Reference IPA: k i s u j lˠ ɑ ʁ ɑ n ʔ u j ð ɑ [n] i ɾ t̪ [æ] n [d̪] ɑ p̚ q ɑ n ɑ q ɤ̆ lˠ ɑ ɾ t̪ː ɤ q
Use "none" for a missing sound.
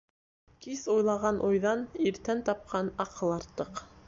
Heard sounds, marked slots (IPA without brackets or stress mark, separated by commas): n, æ, t̪